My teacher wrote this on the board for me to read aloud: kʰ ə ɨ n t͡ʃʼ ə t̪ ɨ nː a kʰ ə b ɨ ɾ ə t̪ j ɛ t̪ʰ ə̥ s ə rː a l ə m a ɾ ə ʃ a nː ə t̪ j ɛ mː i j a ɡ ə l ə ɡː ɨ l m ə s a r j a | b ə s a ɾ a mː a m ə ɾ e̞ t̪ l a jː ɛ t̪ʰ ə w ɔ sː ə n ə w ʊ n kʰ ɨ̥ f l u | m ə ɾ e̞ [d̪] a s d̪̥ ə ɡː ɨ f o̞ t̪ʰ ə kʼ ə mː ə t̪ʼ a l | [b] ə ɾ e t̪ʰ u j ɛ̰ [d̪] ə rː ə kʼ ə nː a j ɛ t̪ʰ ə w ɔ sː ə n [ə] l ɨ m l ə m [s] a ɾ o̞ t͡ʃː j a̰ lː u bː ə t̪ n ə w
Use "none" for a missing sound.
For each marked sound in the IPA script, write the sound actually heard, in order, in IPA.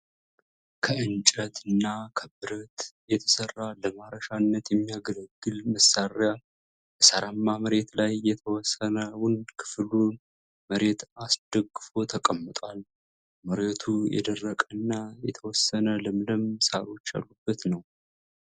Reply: t̪, m, d̪, ə, s

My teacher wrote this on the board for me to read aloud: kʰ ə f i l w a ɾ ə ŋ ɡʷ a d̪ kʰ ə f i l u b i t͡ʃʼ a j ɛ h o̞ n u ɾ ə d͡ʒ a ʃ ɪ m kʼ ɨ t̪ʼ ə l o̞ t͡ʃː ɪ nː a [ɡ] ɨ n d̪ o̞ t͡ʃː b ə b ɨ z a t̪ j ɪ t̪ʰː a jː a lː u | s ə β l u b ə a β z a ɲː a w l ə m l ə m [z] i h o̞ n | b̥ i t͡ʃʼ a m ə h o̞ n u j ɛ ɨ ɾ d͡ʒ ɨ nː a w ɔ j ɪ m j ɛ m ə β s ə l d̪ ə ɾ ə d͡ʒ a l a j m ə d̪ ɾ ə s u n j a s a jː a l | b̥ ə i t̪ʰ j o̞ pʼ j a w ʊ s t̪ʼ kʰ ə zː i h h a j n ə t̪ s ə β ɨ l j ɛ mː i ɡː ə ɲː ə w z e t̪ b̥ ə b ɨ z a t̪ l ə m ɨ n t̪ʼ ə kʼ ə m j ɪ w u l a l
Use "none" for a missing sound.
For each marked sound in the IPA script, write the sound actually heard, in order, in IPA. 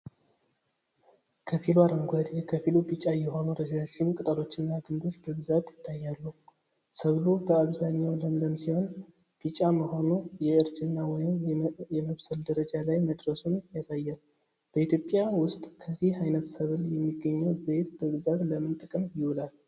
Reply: ɡ, s

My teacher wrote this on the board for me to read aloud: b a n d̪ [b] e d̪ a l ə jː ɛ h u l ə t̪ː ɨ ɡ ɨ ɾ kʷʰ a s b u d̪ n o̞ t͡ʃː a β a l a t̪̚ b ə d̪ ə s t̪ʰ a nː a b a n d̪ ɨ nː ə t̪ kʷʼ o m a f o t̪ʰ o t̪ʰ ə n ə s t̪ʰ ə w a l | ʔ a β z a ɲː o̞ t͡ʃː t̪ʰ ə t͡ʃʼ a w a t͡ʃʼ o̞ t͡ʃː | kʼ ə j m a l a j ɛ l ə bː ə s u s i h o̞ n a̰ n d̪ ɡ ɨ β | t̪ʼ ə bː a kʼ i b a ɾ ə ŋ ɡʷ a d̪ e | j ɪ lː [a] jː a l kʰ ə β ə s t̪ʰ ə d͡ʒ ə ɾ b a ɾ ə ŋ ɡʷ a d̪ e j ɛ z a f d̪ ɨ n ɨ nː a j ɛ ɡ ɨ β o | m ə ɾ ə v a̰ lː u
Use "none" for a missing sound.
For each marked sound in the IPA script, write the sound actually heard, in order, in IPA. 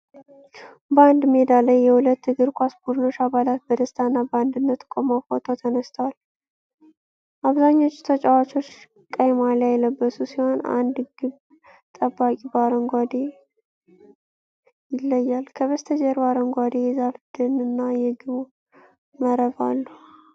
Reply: m, ə

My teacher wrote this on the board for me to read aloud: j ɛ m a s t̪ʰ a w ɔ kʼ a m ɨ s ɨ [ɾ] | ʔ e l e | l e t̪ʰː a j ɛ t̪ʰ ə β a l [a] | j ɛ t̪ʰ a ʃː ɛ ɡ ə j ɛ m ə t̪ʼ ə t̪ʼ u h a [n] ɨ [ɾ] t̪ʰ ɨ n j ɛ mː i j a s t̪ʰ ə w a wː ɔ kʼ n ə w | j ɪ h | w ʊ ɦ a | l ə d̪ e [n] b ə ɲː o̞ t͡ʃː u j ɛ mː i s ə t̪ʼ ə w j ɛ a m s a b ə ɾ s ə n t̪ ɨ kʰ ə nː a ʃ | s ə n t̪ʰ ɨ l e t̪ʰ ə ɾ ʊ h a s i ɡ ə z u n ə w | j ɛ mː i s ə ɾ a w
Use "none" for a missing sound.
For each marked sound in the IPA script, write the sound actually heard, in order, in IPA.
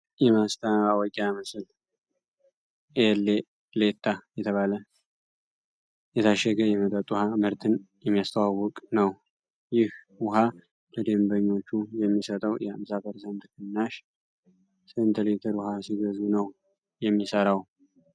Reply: l, ə, m, ɾ, m

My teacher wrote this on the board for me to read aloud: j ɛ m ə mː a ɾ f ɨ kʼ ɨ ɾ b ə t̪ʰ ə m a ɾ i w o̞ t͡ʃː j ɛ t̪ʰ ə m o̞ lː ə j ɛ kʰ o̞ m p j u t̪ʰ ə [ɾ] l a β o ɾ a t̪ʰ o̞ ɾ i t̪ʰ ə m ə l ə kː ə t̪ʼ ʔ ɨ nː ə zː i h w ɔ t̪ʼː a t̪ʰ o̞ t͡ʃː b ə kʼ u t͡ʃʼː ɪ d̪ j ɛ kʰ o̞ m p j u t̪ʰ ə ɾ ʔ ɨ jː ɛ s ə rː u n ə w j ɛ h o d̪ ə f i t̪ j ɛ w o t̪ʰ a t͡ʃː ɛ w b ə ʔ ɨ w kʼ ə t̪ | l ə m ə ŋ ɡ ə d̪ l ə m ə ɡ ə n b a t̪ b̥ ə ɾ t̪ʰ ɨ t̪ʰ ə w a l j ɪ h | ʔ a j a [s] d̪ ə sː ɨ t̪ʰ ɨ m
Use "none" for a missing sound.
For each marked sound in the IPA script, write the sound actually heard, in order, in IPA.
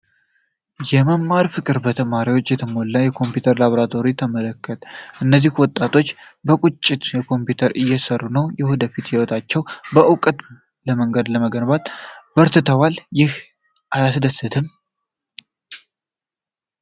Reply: ɾ, s

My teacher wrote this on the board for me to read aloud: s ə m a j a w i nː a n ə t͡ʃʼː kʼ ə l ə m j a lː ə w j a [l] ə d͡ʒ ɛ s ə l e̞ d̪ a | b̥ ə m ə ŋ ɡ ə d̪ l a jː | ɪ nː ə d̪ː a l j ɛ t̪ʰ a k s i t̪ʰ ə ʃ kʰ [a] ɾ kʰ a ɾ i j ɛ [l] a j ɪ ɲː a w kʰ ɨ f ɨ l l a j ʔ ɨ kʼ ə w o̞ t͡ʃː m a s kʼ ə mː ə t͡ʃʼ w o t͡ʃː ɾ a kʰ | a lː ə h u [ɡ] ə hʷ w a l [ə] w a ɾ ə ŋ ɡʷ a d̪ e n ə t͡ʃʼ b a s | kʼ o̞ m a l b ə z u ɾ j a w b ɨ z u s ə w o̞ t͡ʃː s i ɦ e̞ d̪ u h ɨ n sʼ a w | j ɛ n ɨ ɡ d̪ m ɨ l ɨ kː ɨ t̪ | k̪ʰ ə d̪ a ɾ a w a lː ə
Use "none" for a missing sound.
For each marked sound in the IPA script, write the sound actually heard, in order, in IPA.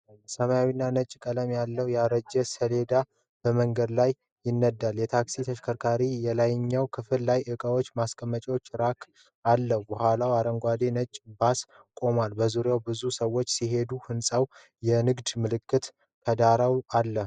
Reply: ɾ, ə, l, b, a

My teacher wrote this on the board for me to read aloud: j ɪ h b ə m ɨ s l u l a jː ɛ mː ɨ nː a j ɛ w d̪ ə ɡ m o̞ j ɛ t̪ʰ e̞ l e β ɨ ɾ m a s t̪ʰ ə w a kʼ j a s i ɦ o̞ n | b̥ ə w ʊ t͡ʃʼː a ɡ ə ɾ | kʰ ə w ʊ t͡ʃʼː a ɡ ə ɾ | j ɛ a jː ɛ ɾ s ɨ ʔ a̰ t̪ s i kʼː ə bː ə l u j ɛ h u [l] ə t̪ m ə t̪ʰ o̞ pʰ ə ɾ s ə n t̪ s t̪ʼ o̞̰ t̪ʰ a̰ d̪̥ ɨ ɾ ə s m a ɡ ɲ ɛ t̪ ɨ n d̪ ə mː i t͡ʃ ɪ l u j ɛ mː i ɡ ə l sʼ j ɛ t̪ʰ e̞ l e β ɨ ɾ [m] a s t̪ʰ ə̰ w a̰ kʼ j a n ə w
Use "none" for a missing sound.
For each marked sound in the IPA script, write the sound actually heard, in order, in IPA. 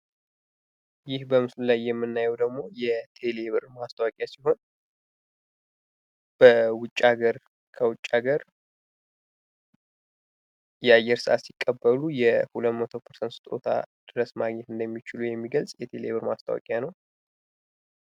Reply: l, m

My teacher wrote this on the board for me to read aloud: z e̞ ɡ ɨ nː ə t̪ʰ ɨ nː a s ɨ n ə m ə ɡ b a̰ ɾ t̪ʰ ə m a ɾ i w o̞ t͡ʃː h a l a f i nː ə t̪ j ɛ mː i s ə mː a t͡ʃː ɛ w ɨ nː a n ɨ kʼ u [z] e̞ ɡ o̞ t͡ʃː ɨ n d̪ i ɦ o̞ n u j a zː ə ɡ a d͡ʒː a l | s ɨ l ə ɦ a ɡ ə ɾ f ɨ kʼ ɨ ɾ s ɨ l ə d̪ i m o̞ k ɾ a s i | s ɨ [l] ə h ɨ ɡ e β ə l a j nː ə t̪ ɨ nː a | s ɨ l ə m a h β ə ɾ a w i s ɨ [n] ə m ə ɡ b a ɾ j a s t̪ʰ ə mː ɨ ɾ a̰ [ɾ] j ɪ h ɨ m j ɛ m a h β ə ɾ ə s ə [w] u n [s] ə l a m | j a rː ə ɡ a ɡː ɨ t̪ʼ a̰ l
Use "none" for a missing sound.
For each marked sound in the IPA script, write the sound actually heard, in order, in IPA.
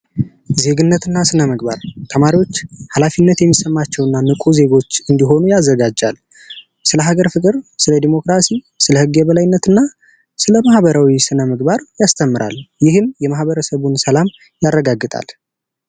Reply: z, l, n, l, β, s

